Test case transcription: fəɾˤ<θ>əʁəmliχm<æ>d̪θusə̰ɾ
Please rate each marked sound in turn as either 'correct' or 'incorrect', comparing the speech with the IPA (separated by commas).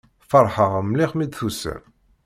incorrect, incorrect